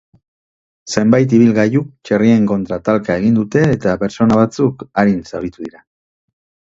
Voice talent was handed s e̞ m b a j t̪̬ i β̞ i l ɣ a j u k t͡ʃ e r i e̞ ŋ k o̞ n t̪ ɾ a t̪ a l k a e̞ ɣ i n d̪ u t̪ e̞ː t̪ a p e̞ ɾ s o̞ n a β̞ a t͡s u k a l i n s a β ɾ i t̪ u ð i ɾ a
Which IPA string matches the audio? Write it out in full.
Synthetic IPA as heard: s e̞ m b a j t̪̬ i β̞ i l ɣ a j u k t͡ʃ e r i e̞ ŋ k o̞ n t̪ ɾ a t̪ a l k a e̞ ɣ i n d̪ u t̪ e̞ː t̪ a p e̞ ɾ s o̞ n a β̞ a t͡s u k a ɾ i n s a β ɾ i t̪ u ð i ɾ a